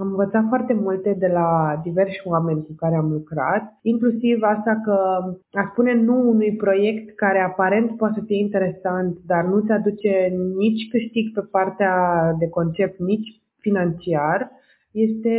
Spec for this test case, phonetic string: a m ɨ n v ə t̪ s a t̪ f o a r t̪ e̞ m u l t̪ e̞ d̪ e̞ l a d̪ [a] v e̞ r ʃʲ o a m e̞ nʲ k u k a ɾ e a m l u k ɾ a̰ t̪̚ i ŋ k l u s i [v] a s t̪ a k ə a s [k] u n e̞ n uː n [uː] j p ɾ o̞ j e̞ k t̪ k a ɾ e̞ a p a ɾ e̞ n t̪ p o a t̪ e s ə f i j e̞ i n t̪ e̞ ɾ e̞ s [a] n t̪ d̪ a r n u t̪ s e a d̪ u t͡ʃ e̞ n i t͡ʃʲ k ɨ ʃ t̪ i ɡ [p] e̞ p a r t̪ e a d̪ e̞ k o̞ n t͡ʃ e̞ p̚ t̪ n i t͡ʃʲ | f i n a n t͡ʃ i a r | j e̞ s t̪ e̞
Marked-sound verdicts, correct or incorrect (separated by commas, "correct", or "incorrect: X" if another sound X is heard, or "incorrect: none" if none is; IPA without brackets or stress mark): incorrect: i, correct, incorrect: p, incorrect: u, correct, correct